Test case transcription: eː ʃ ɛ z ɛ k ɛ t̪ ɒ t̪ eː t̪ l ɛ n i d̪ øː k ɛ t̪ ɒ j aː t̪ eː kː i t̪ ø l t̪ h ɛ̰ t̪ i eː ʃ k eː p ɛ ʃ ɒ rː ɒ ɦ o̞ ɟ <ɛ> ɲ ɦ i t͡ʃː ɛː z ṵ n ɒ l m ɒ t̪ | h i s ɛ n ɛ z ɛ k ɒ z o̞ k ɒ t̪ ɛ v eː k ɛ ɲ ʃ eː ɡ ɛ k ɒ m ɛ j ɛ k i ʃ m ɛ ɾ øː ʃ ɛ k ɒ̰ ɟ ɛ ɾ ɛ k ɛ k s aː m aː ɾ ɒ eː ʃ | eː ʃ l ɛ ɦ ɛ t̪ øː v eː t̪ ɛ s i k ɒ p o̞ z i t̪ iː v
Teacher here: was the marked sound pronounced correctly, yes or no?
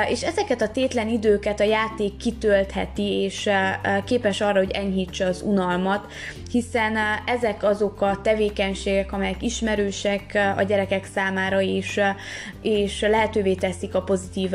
yes